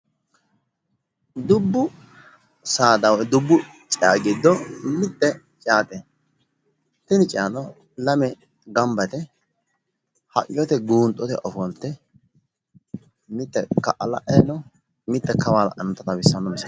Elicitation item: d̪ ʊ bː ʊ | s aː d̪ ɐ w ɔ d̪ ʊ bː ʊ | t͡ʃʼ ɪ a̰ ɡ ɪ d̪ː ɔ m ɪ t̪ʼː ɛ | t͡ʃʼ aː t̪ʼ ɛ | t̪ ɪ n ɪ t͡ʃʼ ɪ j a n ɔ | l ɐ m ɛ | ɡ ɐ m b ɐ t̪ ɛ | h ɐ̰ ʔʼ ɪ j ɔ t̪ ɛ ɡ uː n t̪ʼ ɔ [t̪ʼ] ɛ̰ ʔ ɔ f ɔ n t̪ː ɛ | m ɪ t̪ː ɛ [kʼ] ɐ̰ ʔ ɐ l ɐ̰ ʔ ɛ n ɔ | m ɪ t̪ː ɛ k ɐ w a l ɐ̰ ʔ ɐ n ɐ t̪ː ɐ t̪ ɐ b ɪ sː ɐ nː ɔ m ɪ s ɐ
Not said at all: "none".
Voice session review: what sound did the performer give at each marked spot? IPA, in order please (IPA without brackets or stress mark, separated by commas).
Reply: t̪, k